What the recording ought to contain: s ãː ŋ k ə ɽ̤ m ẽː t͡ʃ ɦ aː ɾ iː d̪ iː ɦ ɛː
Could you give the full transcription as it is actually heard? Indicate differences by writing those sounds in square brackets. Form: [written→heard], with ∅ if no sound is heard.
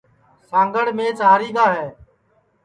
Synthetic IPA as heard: s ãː ŋ [k→ɡ] ə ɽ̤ m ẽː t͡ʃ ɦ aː ɾ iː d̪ [iː→aː] ɦ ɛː